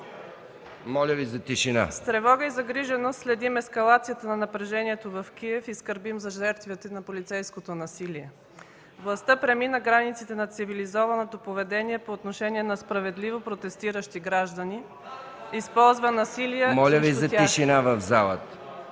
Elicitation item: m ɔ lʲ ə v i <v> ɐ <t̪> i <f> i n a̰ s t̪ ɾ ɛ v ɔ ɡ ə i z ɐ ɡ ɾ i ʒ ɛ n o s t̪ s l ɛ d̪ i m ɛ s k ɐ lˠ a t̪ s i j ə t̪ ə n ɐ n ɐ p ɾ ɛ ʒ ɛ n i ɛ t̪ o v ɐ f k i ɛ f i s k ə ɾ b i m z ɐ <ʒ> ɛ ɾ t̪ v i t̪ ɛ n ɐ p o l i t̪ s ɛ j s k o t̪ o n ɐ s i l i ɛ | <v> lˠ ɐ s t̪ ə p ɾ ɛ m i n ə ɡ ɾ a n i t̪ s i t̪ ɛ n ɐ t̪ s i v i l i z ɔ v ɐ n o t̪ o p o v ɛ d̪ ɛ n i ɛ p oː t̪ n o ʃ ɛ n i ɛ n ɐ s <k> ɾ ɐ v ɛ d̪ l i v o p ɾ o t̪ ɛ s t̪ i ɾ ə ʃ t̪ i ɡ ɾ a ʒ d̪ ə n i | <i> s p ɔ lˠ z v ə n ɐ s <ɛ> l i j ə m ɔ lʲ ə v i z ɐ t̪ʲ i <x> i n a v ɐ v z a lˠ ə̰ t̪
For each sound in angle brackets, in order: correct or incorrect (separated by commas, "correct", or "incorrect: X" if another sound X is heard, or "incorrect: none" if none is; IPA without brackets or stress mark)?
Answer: incorrect: z, correct, incorrect: ʃ, correct, correct, incorrect: p, correct, incorrect: i, incorrect: ʃ